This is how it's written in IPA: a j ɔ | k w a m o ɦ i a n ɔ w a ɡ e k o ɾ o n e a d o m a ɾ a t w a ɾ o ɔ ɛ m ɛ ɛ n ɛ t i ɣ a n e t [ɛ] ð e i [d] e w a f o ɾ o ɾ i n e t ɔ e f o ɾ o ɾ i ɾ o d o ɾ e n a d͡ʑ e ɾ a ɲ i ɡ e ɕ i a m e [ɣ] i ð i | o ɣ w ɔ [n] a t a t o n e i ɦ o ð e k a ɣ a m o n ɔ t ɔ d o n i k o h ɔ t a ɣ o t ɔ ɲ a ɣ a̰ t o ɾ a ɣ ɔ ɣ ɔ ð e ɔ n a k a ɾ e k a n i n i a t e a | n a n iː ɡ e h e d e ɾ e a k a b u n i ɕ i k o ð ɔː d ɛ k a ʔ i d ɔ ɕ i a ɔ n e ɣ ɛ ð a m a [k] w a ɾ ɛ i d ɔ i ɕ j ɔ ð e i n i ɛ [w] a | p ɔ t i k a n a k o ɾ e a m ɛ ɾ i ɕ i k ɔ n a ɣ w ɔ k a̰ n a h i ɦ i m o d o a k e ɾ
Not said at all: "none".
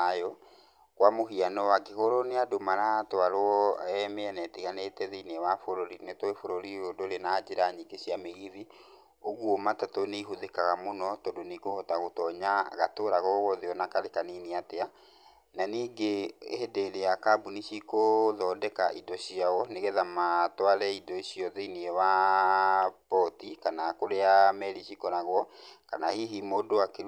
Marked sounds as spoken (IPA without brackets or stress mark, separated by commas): ɛ, n, ɣ, m, t, w